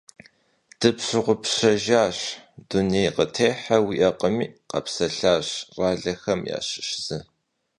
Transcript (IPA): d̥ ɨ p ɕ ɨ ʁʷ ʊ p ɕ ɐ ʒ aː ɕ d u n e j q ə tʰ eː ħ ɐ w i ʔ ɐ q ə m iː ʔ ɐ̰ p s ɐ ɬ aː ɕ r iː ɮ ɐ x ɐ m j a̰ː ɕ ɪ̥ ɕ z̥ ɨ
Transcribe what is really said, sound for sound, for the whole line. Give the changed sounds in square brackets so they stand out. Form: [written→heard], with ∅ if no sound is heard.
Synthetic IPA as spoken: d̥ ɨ p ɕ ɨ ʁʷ ʊ p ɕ ɐ ʒ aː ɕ d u n e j q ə tʰ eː ħ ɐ w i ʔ ɐ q ə m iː [ʔ→q] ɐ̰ p s ɐ ɬ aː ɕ r [iː→aː] ɮ ɐ x ɐ m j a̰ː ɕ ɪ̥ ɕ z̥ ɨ